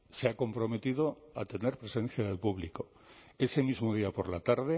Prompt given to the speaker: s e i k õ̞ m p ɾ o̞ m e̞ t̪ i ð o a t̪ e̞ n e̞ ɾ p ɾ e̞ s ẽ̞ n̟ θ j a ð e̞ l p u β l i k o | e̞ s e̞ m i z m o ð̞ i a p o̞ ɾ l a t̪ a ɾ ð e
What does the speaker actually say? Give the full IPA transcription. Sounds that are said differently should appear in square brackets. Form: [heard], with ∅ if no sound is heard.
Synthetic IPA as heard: s e [a] k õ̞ m p ɾ o̞ m e̞ t̪ i ð o a t̪ e̞ n e̞ ɾ p ɾ e̞ s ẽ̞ n̟ θ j a ð e̞ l p u β l i k o | e̞ s e̞ m i z m o ð̞ i a p o̞ ɾ l a t̪ a ɾ ð e